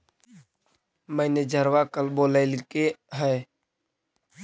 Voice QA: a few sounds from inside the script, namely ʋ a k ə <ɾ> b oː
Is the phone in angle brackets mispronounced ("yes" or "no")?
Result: yes